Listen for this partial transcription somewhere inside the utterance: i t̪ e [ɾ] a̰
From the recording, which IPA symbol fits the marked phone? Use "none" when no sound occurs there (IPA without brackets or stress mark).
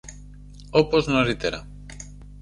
ɾ